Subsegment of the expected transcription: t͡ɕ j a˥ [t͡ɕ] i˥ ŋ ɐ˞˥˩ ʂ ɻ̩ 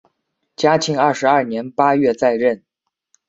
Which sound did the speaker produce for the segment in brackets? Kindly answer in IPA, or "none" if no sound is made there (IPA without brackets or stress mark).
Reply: t͡ɕʰ